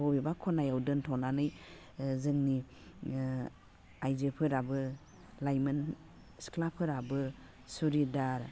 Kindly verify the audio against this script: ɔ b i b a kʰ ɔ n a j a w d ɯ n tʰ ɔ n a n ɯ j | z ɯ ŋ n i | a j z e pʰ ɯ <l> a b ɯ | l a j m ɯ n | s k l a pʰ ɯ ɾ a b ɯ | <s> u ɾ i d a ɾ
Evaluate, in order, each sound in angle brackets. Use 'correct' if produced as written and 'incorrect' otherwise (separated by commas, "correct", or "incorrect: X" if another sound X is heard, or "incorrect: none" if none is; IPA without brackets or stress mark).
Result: incorrect: ɾ, correct